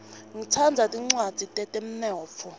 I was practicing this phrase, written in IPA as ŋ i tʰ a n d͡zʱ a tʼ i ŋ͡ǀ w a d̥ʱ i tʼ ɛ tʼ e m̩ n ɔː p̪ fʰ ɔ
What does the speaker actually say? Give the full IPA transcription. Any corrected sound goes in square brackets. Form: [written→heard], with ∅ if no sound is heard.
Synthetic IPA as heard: ŋ i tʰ a n d͡zʱ a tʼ i ŋ͡ǀ w a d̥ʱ i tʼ ɛ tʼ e m̩ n ɔː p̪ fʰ ɔ